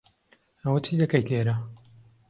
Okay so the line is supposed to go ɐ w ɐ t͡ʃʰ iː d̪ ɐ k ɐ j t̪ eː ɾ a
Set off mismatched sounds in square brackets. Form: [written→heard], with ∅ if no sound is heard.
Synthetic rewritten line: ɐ w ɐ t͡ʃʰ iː d̪ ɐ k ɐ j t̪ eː ɾ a